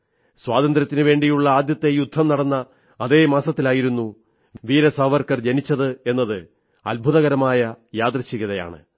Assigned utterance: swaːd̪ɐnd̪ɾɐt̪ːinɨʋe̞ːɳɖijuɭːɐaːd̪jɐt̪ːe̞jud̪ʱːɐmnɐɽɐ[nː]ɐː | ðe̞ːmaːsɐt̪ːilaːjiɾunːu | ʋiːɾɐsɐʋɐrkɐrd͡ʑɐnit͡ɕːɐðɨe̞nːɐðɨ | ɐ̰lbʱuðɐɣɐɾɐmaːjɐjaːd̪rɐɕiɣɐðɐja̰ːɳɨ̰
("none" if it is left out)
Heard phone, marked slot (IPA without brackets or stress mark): nː